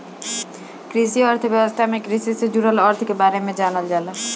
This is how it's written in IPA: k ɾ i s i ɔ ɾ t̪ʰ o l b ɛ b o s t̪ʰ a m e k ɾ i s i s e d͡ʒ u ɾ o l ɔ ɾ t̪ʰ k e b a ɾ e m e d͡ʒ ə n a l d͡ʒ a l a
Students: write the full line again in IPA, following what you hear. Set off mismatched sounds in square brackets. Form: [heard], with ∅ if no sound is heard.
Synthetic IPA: k ɾ i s i ɔ ɾ t̪ʰ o [∅] b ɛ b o s t̪ʰ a m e k ɾ i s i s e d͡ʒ u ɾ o l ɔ ɾ t̪ʰ k e b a ɾ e m e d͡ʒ [a] n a l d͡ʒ a l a